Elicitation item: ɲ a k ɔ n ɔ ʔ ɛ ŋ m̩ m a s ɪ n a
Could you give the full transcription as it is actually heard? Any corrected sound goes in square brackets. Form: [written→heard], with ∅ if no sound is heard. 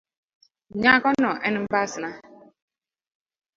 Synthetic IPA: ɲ a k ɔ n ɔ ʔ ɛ [ŋ→n] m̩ [m→b] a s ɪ n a